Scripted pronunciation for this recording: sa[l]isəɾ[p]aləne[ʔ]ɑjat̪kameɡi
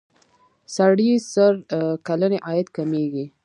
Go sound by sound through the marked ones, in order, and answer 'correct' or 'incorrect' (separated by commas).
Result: incorrect, incorrect, correct